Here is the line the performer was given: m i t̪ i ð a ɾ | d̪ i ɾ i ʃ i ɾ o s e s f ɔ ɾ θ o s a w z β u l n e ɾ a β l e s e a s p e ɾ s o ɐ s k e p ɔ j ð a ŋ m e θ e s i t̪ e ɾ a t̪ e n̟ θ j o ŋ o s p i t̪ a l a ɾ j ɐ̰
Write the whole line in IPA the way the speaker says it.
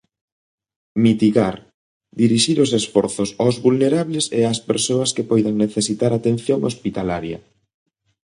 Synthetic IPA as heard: m i t̪ i ɣ a ɾ | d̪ i ɾ i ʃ i ɾ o s e s f ɔ ɾ θ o s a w z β u l n e ɾ a β l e s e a s p e ɾ s o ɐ s k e p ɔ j ð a ŋ n e θ e s i t̪ a ɾ a t̪ e n̟ θ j o ŋ o s p i t̪ a l a ɾ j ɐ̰